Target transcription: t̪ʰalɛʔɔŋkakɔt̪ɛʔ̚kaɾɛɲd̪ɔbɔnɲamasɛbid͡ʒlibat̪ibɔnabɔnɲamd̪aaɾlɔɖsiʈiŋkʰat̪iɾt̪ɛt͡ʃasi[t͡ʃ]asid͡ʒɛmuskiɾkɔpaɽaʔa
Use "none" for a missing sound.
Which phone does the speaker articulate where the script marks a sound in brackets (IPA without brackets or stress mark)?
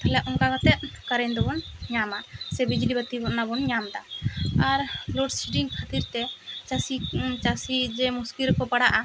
t͡ʃ